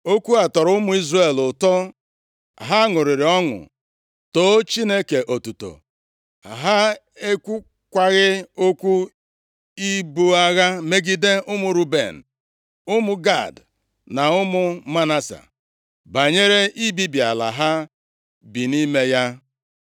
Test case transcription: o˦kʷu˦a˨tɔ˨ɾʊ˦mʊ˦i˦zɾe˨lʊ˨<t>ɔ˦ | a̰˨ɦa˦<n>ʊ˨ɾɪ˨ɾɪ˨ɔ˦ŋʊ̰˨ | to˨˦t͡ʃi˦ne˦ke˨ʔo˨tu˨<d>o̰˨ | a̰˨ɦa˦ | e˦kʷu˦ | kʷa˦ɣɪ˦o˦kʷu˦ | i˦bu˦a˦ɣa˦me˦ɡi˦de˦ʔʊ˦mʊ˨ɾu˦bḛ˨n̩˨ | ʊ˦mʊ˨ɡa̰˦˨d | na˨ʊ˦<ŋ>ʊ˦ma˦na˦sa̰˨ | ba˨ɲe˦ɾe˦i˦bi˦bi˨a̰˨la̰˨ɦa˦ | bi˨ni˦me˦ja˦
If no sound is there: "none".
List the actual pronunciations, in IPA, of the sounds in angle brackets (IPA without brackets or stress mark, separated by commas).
t, ŋ, t, m